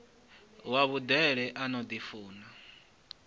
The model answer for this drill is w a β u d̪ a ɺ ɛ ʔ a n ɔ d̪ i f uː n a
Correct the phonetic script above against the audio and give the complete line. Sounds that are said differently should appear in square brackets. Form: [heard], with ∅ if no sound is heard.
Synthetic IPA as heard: w a β u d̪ [ɛ] ɺ ɛ ʔ a n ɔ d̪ i f uː n a